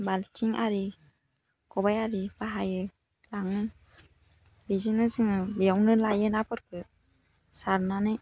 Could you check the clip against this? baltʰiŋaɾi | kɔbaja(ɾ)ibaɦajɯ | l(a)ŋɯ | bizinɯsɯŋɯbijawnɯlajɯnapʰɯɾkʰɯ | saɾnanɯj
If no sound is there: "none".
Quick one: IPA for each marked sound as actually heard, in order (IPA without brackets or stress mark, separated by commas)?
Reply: ɾ, a